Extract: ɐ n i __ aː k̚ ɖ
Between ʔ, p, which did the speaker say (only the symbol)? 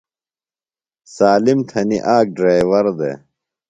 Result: ʔ